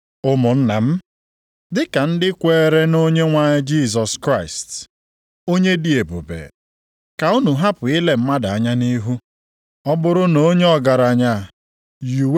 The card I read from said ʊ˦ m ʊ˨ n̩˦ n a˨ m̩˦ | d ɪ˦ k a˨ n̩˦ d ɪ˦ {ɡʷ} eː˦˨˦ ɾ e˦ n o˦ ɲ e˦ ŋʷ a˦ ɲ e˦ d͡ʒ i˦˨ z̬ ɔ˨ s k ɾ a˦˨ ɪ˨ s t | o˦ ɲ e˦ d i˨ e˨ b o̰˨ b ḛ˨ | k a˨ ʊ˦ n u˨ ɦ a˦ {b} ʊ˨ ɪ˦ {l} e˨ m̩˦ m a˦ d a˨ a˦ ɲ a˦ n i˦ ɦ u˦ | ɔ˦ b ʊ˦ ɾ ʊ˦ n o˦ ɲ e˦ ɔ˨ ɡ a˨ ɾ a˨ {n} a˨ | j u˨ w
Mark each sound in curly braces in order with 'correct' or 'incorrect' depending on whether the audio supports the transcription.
incorrect: kʷ, incorrect: p, correct, incorrect: ɲ

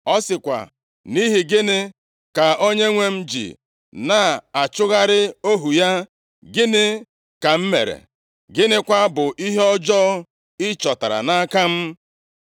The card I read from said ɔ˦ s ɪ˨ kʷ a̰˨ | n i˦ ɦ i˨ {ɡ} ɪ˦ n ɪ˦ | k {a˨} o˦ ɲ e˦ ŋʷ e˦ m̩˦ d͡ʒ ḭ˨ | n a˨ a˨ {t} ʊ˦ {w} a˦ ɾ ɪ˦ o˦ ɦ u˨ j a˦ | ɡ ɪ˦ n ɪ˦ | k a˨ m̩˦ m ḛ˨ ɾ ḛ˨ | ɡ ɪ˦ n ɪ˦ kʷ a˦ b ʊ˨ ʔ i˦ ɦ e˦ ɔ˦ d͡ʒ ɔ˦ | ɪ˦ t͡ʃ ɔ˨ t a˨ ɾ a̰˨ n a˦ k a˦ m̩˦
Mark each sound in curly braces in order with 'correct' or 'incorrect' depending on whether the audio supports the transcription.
correct, correct, incorrect: t͡ʃ, incorrect: ɣ

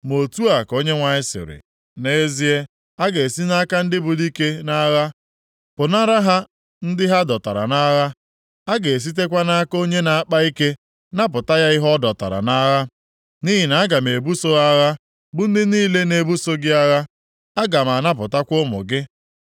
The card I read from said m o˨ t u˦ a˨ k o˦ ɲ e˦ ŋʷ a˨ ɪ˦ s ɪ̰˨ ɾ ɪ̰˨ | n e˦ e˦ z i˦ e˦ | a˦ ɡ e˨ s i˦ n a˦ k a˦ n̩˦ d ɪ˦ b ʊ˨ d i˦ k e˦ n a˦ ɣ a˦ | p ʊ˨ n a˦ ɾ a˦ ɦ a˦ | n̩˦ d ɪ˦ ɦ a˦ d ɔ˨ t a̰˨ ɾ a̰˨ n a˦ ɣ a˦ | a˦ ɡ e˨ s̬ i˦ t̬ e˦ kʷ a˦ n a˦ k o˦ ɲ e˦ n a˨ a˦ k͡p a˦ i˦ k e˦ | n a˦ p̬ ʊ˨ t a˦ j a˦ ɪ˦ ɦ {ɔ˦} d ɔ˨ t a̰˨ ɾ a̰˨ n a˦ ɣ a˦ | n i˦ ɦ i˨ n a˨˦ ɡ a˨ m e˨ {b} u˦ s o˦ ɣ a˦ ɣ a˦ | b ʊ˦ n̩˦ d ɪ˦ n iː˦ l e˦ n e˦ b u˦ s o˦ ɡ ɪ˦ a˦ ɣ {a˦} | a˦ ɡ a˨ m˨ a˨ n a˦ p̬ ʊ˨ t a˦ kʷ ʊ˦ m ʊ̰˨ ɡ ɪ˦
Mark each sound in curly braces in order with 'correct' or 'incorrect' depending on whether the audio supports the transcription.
correct, correct, correct

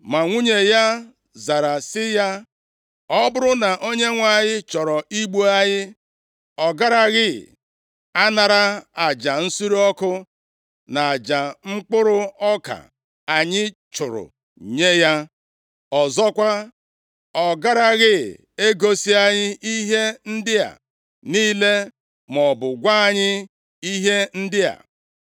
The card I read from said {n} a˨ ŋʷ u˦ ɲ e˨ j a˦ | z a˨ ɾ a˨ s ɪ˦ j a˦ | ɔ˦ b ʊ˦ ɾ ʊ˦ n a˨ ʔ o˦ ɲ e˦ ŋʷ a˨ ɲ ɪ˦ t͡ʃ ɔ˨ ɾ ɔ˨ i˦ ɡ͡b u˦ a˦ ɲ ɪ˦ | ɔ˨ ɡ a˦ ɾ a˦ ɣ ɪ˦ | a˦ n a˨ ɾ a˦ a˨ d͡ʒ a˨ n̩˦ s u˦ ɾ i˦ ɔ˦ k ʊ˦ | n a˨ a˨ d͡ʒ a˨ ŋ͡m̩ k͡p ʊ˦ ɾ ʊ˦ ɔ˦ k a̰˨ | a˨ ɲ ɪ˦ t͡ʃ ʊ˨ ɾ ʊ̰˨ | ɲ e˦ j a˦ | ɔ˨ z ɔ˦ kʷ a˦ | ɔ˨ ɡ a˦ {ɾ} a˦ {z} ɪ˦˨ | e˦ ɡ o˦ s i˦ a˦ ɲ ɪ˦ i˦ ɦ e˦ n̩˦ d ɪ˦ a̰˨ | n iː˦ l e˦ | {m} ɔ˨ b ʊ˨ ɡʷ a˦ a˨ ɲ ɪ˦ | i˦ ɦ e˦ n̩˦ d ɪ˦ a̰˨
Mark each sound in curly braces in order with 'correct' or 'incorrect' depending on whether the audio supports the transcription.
incorrect: m, correct, incorrect: ɣ, correct

